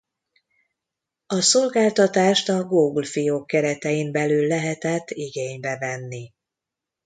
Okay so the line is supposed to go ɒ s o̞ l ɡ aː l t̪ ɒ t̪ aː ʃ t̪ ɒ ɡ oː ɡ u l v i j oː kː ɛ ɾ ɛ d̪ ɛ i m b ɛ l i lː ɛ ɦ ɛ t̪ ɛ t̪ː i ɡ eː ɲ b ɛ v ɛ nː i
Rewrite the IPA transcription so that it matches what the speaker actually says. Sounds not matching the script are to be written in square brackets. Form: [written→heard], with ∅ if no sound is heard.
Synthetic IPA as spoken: ɒ s o̞ l ɡ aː l t̪ ɒ t̪ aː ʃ t̪ ɒ ɡ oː ɡ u l [v→f] i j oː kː ɛ ɾ ɛ [d̪→t̪] ɛ i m b ɛ l [i→y] lː ɛ ɦ ɛ t̪ ɛ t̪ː i ɡ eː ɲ b ɛ v ɛ nː i